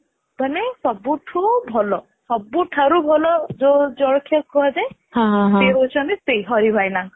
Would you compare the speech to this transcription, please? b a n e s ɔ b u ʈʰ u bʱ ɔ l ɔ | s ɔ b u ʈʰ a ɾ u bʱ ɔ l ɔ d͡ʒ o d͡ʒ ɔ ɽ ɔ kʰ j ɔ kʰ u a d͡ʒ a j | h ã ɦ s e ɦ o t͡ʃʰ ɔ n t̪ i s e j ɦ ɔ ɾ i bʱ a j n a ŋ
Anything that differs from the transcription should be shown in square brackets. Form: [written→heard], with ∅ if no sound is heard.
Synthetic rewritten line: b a n e s ɔ b u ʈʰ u bʱ ɔ l ɔ | s ɔ b u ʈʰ a ɾ u bʱ ɔ l ɔ d͡ʒ o d͡ʒ ɔ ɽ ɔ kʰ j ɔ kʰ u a d͡ʒ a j | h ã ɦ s e ɦ o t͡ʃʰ ɔ n t̪ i s e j ɦ ɔ ɾ i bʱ a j n a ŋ